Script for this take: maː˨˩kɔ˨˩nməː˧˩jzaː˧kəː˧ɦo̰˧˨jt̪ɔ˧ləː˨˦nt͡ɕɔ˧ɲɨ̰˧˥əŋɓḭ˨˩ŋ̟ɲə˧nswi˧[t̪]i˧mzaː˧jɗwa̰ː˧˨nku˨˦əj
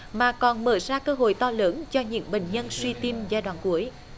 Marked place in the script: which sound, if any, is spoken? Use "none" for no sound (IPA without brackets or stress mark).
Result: t̪